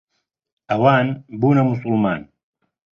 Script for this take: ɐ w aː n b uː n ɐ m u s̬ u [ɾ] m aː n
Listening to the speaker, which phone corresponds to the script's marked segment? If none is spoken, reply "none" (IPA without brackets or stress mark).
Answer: l